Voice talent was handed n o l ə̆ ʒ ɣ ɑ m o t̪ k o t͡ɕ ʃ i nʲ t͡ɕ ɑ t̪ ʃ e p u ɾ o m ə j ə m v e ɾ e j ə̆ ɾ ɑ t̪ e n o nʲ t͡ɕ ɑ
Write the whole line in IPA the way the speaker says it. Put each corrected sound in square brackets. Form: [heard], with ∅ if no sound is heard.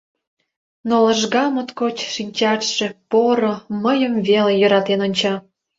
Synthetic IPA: n o l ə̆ ʒ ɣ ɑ m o t̪ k o t͡ɕ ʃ i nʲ t͡ɕ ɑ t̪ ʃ e p [o] ɾ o m ə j ə m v e [l] e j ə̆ ɾ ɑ t̪ e n o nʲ t͡ɕ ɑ